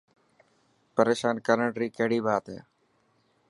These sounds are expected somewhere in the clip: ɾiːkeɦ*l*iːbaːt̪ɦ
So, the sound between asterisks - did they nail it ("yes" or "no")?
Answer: no